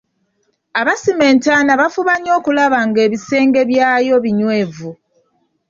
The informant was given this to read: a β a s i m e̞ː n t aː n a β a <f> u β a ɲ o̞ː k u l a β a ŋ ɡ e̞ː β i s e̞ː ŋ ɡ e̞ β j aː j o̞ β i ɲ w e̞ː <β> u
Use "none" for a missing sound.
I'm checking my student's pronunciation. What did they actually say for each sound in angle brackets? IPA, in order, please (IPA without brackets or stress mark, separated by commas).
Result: f, v